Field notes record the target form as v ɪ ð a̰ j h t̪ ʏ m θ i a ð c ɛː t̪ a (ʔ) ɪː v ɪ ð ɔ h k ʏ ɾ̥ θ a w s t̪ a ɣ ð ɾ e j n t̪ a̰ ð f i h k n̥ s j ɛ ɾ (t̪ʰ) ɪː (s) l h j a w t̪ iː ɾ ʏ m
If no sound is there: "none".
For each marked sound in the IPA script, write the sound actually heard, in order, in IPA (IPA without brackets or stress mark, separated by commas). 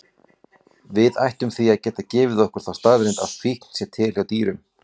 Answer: c, t̪ʰ, none